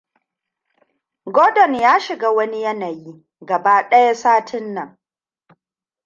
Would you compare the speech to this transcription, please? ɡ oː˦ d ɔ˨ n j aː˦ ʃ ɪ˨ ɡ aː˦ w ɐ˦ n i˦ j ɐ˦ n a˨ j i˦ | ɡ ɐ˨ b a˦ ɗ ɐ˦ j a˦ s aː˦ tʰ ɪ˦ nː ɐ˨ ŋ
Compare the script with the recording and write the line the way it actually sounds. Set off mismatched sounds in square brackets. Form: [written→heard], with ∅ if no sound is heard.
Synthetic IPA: ɡ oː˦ d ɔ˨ n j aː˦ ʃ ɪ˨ ɡ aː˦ w ɐ˦ n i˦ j ɐ˦ n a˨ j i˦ | ɡ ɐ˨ b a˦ ɗ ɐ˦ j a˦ s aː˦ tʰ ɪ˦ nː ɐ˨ ŋ

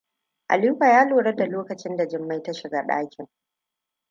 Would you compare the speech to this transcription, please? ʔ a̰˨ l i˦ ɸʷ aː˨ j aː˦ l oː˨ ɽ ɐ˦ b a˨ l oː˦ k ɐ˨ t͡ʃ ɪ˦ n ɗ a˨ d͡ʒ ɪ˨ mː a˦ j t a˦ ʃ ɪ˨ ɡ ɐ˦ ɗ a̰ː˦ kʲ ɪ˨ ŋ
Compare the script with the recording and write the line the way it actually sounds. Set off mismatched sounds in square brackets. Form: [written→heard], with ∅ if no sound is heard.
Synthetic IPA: ʔ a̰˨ l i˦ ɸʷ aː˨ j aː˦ l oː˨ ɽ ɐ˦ [b→d] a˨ l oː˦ k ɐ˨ t͡ʃ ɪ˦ n [ɗ→d] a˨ d͡ʒ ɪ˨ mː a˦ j t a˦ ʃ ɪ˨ ɡ [ɐ˦→a˦] ɗ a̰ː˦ kʲ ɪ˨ ŋ

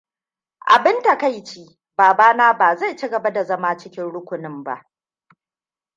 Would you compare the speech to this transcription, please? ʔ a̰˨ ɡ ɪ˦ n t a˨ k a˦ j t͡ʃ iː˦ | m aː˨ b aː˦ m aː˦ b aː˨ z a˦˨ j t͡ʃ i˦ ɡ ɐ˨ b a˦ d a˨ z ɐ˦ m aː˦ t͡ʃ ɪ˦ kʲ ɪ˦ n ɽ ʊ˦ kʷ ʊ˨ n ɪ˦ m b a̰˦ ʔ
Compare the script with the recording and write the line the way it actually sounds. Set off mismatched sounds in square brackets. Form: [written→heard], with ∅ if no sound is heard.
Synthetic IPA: ʔ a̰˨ [ɡ→b] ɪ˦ n t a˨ k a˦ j t͡ʃ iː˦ | [m→b] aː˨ b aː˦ [m→n] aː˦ b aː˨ z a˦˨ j t͡ʃ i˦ ɡ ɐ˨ b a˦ d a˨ z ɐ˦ m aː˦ t͡ʃ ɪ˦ kʲ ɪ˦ n ɽ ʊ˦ kʷ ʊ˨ n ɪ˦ m b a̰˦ ʔ

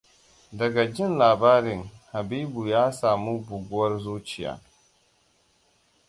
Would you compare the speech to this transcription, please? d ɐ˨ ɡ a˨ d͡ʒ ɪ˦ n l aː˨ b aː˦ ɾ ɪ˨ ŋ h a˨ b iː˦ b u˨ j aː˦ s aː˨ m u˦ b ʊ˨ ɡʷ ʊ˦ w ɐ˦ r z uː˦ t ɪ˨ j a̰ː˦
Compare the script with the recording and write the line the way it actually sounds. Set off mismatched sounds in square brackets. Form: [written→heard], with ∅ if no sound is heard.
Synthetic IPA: d ɐ˨ ɡ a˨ d͡ʒ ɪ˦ n l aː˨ b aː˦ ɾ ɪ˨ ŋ h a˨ b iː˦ b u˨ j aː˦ s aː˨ m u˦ b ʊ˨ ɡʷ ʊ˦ w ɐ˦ r z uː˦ [t→t͡ʃ] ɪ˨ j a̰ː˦

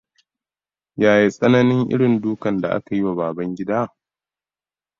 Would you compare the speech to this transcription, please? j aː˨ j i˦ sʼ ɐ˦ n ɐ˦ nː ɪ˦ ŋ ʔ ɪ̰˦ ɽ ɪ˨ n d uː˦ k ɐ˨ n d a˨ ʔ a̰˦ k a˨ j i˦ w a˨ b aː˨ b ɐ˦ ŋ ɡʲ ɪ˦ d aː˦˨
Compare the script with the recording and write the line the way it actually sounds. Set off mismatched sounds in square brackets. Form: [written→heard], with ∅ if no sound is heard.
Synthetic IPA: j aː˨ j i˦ sʼ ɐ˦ n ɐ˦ [nː→n] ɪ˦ ŋ ʔ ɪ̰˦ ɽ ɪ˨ n d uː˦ k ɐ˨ n d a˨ ʔ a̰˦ k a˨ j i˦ w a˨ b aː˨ b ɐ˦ ŋ ɡʲ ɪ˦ d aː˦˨

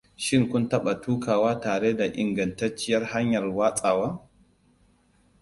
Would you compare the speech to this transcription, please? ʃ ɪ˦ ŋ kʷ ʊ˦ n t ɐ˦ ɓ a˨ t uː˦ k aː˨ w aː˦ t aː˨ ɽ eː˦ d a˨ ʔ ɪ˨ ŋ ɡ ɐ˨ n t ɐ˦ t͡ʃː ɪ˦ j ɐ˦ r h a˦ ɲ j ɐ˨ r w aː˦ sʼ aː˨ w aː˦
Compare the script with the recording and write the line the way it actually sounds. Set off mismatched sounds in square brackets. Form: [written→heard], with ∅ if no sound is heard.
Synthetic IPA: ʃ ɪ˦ ŋ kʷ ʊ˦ n t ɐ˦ ɓ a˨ t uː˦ k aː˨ w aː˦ t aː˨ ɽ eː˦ d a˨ ʔ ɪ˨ ŋ ɡ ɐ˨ n t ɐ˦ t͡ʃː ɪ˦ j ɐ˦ r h a˦ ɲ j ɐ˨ r w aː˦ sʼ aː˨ w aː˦

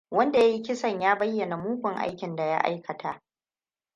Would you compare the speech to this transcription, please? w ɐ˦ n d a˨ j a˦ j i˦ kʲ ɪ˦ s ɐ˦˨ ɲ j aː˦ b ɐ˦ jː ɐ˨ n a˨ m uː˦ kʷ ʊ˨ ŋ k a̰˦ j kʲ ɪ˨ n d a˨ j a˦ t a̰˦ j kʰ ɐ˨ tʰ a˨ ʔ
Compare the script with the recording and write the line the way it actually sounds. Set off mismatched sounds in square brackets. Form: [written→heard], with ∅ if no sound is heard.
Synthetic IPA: w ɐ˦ n d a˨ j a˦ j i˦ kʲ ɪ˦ s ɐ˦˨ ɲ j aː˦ b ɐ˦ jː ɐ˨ n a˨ m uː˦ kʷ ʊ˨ ŋ [k→ʔ] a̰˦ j kʲ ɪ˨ n d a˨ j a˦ [t→ʔ] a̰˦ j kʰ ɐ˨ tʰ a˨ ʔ

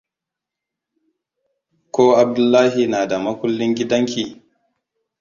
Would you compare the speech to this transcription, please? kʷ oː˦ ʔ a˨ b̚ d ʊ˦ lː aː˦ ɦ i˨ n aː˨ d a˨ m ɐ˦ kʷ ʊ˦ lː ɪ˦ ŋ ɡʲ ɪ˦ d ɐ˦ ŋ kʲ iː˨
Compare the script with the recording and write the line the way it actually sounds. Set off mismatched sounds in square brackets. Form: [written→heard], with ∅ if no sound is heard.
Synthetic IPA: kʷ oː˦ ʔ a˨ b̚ d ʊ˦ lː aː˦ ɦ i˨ n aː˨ d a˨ m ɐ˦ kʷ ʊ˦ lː ɪ˦ ŋ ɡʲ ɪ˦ d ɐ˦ ŋ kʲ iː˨

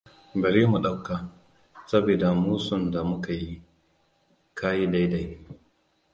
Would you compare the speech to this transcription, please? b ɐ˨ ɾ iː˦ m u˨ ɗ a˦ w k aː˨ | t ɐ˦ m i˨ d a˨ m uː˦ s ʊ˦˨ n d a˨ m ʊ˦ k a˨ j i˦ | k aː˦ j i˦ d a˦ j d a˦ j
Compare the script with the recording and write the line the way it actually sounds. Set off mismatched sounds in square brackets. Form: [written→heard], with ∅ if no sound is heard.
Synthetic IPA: b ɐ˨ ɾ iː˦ m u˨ ɗ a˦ w k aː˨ | [t→s] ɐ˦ [m→b] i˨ d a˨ m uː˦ s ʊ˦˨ n d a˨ m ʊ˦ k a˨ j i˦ | k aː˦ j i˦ d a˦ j d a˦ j

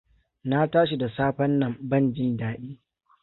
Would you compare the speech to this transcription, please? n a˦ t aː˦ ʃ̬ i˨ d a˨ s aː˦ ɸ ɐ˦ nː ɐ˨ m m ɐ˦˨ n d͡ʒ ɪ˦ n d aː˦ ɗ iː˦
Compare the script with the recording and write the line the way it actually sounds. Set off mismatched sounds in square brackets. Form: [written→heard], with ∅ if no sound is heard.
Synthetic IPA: n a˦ t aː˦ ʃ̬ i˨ d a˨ s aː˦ ɸ ɐ˦ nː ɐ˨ m [m→b] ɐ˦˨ n d͡ʒ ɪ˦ n d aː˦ ɗ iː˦

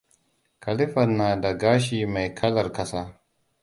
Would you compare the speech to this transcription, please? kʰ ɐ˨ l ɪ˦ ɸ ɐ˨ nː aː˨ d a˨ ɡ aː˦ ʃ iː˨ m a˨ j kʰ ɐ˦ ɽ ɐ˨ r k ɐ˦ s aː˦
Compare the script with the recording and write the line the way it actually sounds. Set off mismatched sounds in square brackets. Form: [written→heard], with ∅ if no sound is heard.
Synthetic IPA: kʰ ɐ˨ l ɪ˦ ɸ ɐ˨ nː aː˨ d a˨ ɡ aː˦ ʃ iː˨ m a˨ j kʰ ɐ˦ [ɽ→l] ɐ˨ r k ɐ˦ s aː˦

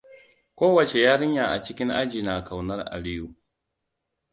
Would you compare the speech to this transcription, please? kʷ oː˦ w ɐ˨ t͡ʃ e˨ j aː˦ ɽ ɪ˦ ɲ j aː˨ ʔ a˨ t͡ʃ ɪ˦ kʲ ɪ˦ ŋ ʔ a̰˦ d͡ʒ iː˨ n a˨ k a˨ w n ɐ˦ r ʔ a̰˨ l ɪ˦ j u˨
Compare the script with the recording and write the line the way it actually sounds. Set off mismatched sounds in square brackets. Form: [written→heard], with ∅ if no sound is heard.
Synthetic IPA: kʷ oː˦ w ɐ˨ t͡ʃ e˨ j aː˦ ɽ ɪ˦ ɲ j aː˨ ʔ a˨ t͡ʃ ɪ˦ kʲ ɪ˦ ŋ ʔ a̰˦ d͡ʒ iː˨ n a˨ k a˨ w n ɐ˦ r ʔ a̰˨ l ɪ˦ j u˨

